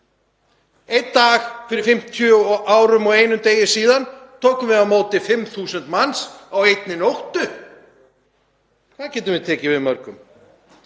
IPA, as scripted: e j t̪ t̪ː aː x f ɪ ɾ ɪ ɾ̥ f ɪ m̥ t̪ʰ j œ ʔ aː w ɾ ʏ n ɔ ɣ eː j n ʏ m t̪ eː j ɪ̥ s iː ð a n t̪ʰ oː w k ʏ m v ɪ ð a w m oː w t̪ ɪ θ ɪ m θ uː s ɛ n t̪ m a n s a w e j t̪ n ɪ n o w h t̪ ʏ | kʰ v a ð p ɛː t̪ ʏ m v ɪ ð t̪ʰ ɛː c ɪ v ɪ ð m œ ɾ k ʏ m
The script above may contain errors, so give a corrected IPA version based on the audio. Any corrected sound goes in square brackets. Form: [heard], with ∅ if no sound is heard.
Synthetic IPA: e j t̪ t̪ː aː x f ɪ ɾ ɪ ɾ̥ f ɪ m̥ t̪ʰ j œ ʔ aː w ɾ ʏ [m] ɔ ɣ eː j n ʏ m t̪ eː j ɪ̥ s iː ð a n t̪ʰ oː w k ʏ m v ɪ ð a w m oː w t̪ ɪ [f] ɪ m θ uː s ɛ n t̪ m a n s a w e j t̪ n ɪ n o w h t̪ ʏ | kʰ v a ð [c] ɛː t̪ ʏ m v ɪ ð t̪ʰ ɛː c ɪ v ɪ ð m œ ɾ k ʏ m